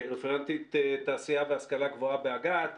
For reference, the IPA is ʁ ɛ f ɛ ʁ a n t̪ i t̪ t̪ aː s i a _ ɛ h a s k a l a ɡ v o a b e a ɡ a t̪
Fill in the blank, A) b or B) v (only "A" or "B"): B